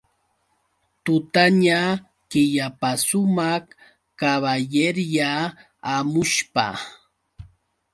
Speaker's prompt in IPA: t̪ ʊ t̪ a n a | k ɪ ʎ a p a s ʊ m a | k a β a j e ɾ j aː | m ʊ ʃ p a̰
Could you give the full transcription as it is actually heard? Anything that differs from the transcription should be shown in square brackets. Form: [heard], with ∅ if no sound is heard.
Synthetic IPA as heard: t̪ ʊ t̪ a [ɲ] a | k ɪ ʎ a p a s ʊ m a | k a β a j e ɾ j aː | m ʊ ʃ p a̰